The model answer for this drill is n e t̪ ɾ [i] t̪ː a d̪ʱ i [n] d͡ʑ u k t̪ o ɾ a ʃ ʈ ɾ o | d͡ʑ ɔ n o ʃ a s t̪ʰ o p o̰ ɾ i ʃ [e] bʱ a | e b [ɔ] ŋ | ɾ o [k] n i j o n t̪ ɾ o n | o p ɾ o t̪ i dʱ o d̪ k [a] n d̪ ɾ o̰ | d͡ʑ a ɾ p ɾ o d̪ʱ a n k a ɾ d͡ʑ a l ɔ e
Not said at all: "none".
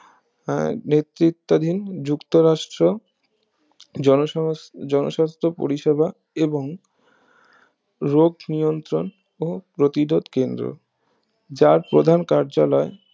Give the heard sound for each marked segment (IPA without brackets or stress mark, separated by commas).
i, n, e, o, ɡ, e